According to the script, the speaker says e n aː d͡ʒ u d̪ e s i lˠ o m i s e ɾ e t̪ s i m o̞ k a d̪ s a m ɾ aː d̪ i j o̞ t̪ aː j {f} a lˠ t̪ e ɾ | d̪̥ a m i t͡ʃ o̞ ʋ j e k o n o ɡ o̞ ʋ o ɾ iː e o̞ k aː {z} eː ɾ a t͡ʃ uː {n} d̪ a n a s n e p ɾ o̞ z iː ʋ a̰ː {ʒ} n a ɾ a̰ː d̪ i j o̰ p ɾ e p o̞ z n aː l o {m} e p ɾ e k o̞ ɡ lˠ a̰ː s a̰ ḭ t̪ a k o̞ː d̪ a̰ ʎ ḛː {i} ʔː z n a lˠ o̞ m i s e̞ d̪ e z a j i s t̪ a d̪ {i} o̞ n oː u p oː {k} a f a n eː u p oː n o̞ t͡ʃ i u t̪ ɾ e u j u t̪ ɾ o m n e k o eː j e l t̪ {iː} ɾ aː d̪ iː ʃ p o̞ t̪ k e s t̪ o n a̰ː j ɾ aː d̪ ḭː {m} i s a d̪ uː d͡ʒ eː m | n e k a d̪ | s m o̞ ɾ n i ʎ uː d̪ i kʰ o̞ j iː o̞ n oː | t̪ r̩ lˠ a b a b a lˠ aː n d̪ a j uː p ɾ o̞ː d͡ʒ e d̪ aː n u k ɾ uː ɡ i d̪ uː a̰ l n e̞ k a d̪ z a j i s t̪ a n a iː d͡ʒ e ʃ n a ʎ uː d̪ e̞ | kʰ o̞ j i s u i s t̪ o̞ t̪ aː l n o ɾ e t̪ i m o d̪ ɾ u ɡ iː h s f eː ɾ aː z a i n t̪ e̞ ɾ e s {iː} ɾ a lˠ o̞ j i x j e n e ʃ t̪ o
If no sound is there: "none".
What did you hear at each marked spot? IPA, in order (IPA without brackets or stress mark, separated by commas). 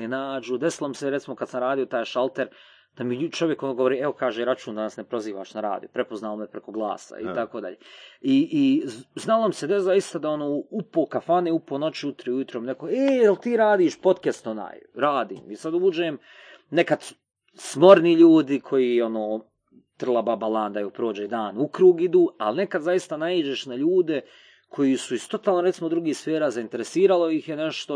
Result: ʃ, ʒ, n, ʃ, m, i, a, k, iː, m, iː